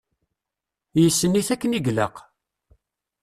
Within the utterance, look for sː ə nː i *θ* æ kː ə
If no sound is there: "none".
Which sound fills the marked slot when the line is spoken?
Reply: θ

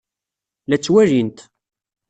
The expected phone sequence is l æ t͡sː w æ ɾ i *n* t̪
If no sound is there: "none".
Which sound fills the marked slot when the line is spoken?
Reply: n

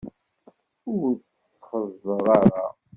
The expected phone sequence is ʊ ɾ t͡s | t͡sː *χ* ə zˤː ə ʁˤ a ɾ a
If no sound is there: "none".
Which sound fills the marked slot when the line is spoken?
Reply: χ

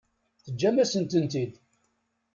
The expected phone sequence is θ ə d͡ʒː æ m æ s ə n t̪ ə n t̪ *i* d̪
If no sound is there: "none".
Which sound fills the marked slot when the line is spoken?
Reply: i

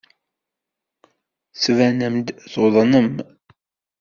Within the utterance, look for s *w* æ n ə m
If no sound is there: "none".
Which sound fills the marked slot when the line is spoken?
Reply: v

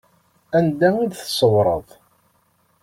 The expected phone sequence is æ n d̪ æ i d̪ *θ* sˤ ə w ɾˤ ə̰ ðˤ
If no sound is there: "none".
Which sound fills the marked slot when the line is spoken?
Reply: θ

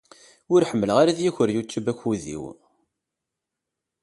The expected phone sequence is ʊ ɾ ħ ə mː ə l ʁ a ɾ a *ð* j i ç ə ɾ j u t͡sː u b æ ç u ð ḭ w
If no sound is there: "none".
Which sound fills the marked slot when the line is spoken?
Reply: ð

